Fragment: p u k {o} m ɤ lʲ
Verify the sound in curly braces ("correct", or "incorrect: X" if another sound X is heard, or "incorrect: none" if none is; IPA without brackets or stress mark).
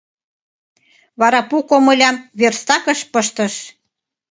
correct